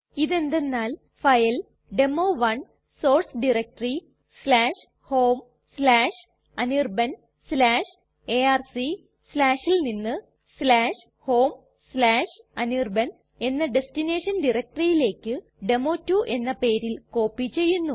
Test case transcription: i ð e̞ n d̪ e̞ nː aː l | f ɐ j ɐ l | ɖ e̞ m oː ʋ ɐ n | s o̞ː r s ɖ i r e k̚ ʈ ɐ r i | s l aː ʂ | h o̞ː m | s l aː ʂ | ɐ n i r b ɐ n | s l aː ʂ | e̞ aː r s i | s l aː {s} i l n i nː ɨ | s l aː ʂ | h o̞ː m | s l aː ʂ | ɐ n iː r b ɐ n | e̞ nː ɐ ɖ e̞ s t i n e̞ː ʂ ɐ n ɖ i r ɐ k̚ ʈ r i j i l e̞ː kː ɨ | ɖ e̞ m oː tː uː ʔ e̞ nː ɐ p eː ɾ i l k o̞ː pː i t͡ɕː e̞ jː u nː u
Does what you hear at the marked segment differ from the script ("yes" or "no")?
yes